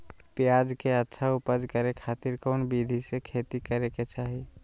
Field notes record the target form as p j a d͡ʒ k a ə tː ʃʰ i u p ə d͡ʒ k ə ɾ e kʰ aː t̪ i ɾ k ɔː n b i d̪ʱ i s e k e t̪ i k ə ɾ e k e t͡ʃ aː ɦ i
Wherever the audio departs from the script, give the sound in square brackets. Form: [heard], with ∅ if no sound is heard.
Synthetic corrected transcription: p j a d͡ʒ k [e] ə tː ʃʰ [a] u p ə d͡ʒ k ə ɾ e kʰ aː t̪ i ɾ k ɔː n b i d̪ʱ i s e [kʰ] e t̪ i k ə ɾ e k e t͡ʃ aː ɦ i